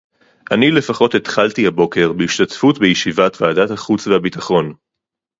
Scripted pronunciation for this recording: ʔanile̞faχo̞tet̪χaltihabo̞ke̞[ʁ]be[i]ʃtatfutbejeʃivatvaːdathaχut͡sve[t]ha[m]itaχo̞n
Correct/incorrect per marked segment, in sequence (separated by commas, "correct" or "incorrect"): correct, correct, incorrect, incorrect